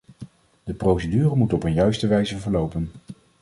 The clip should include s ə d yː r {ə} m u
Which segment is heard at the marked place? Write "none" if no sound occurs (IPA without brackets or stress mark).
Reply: ə